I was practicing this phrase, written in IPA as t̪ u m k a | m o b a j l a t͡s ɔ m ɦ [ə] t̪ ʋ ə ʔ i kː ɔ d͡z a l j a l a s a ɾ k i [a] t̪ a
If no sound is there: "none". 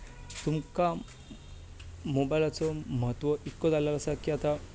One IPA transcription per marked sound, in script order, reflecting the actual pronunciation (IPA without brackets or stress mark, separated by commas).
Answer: ə, a